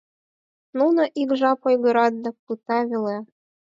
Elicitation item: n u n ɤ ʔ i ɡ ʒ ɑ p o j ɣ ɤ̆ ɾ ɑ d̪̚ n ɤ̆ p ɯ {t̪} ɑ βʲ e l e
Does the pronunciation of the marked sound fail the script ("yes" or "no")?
no